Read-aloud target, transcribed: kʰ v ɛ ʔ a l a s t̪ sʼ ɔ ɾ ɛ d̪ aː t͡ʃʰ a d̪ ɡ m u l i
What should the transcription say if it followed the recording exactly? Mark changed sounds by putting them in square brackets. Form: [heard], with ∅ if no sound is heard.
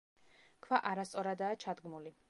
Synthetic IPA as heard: kʰ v [a] ʔ a [ɾ] a s t̪ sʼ ɔ ɾ [a] d̪ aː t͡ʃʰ a d̪ ɡ m u l i

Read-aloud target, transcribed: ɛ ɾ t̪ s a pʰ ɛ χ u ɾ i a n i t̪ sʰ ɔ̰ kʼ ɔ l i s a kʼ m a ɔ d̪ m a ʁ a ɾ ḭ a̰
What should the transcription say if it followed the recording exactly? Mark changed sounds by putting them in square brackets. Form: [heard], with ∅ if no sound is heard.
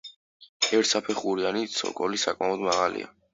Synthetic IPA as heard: ɛ ɾ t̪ s a pʰ ɛ χ u ɾ i a n i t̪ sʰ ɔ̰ kʼ ɔ l i s a kʼ m a ɔ d̪ m a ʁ a [l] ḭ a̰

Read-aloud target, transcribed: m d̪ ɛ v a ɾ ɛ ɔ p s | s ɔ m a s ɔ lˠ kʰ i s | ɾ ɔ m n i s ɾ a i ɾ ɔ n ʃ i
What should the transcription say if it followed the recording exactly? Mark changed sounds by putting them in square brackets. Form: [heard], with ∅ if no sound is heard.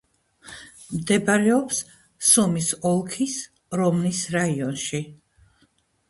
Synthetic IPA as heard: m d̪ ɛ [b] a ɾ ɛ ɔ p s | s ɔ m [i] s ɔ lˠ kʰ i s | ɾ ɔ m n i s ɾ a i [∅] ɔ n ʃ i

